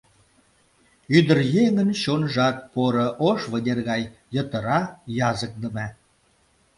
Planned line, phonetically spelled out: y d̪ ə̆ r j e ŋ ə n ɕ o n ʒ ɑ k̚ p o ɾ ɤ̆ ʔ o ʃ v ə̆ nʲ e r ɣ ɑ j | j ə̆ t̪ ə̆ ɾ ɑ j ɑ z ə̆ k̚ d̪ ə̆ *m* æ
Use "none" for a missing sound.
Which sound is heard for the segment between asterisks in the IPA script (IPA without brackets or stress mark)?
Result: m